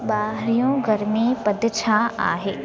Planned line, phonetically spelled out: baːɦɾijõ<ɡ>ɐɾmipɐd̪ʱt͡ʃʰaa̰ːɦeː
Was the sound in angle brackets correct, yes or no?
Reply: yes